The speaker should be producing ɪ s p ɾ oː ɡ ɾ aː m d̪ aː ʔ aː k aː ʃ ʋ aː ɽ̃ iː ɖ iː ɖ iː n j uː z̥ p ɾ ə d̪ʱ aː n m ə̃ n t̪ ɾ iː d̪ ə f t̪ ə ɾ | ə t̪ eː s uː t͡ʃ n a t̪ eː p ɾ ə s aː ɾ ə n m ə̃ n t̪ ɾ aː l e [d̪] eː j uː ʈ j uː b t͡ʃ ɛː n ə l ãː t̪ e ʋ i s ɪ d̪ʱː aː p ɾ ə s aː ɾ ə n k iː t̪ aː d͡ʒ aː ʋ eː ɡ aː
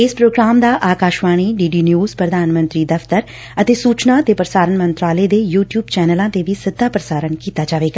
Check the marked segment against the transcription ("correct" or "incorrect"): correct